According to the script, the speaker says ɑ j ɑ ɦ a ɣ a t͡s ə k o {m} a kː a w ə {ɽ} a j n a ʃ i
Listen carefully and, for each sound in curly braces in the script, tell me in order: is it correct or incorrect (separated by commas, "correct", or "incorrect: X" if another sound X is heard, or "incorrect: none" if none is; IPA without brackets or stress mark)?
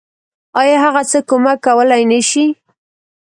correct, incorrect: l